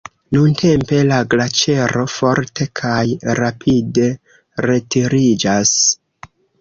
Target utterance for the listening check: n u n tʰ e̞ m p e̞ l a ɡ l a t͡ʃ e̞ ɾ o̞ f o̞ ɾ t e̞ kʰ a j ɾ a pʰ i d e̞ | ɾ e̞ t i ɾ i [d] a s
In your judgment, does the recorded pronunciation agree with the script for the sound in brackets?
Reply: no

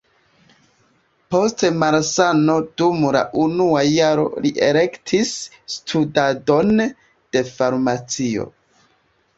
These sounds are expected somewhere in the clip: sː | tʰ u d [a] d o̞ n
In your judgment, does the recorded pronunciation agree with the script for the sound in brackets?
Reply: yes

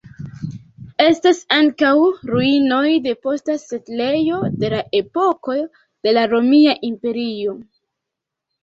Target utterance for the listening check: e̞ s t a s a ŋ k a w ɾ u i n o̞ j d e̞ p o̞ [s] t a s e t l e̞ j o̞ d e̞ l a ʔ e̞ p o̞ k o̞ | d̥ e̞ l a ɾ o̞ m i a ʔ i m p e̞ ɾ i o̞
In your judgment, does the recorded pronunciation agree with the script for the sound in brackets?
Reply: yes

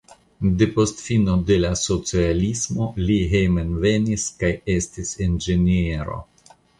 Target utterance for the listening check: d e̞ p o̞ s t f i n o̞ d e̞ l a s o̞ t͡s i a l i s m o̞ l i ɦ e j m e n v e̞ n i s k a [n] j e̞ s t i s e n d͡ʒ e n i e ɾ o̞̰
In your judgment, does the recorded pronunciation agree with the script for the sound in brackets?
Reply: no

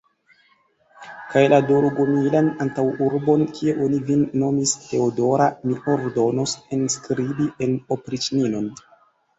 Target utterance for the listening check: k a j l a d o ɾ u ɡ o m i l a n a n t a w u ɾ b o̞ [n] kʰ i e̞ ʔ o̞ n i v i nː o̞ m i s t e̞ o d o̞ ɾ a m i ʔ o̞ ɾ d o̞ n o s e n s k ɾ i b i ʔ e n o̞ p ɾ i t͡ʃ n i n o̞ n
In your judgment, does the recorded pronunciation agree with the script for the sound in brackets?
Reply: yes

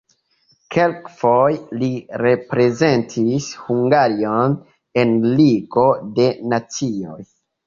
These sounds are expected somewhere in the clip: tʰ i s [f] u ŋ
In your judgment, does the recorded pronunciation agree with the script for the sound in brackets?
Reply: no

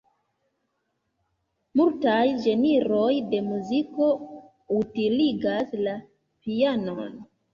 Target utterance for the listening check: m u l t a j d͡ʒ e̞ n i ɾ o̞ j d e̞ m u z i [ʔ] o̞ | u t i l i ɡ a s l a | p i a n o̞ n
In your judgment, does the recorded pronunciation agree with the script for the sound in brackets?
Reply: no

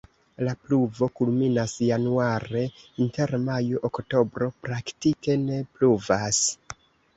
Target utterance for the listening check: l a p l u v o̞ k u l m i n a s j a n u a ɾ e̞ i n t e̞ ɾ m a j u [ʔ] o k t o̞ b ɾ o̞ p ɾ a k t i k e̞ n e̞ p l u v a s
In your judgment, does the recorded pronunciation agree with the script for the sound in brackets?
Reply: yes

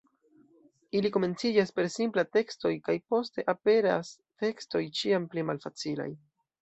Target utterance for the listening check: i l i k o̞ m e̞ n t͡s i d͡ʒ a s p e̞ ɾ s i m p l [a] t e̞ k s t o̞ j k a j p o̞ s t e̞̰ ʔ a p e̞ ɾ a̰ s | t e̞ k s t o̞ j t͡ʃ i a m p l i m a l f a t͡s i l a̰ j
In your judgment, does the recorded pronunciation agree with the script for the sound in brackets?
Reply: yes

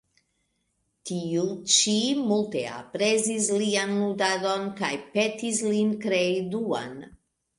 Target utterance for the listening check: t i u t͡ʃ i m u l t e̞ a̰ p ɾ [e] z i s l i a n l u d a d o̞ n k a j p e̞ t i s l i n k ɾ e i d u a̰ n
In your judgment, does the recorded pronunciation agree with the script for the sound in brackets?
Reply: yes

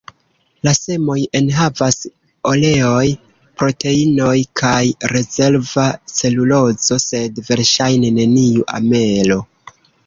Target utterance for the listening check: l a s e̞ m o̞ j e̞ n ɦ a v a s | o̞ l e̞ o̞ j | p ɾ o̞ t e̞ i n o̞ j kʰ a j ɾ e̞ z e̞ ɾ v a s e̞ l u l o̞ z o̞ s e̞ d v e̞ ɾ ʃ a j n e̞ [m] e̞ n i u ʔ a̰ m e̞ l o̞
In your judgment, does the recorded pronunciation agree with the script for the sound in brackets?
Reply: no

